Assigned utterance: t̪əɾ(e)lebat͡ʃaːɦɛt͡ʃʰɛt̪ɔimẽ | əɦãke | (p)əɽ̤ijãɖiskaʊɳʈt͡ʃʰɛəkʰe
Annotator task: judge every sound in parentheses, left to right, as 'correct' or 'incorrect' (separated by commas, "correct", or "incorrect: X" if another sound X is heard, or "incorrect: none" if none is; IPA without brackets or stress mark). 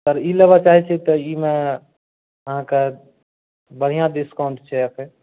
incorrect: i, incorrect: b